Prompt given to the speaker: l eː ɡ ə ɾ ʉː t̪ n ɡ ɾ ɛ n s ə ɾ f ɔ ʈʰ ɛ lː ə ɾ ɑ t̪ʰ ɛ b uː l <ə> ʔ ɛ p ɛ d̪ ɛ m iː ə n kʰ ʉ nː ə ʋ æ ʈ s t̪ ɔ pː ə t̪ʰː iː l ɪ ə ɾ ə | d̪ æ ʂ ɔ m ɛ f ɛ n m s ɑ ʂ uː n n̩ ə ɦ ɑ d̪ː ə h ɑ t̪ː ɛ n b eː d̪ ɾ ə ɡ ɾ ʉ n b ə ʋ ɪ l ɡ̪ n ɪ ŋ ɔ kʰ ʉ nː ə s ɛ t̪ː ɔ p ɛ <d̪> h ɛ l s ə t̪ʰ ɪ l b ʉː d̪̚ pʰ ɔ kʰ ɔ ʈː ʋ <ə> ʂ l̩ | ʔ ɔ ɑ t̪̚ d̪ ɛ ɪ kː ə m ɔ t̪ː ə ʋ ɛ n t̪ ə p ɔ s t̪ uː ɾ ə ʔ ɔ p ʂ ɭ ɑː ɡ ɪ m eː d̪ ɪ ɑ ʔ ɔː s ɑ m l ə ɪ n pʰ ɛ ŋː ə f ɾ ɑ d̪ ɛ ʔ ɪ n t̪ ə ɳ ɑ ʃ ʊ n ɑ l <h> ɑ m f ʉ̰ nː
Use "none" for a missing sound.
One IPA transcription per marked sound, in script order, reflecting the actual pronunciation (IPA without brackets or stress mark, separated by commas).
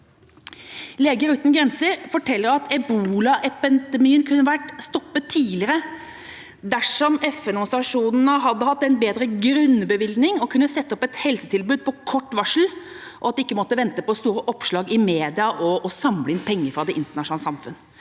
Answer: ɑ, t̪, ɑ, s